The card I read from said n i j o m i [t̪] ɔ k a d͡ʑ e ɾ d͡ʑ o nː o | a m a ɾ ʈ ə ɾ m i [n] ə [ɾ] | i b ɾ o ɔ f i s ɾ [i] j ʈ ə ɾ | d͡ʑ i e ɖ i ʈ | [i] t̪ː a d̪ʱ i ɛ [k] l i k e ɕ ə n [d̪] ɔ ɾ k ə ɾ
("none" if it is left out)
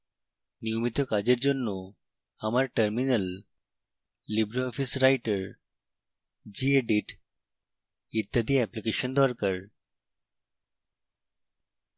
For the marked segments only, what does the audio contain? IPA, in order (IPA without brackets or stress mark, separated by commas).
t̪, n, l, a, i, p, d̪